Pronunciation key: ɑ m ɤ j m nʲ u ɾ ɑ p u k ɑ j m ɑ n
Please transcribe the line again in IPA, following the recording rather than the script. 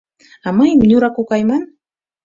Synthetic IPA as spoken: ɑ m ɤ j m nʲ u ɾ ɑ k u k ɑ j m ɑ n